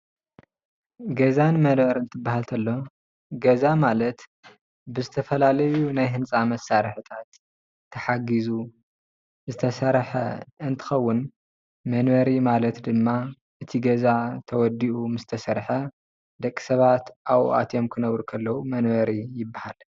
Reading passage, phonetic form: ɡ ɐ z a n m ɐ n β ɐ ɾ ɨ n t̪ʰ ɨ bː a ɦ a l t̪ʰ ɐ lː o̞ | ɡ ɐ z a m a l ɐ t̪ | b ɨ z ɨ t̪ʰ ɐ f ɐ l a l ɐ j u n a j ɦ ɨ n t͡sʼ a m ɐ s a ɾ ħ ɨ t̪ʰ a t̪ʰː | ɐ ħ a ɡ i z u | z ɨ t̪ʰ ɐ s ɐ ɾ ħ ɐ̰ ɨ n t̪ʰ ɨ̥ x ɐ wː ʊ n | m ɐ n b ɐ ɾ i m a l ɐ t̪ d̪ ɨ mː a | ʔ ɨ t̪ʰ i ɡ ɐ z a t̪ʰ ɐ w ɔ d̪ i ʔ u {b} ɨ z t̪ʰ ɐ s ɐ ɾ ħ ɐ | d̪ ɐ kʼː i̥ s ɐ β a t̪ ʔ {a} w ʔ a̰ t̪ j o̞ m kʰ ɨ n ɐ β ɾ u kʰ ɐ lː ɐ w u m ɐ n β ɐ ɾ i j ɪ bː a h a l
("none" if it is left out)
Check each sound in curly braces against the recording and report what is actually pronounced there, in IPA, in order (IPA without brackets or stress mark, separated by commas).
m, a